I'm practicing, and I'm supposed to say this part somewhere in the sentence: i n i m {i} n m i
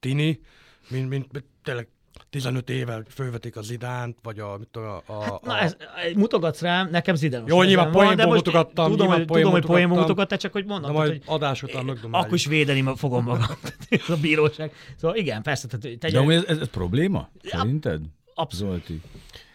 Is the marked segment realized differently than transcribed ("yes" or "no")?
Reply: no